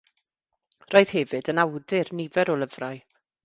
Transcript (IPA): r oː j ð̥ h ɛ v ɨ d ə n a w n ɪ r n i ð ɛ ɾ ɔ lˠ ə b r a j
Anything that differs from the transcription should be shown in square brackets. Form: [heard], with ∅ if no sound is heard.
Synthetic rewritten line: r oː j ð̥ h ɛ v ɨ d ə n a w [d] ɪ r n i [v] ɛ ɾ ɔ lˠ ə [v] r a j